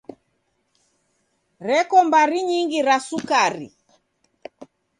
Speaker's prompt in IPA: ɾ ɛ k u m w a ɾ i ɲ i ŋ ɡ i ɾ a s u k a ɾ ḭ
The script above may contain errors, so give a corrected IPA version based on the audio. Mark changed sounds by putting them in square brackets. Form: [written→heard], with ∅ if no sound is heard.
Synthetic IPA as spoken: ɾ ɛ k [u→ɔ] m [w→b] a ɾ i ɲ i ŋ ɡ i ɾ a s u k a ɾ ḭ